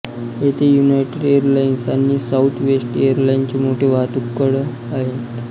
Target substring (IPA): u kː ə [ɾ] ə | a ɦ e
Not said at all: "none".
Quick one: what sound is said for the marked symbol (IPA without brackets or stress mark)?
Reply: ɽ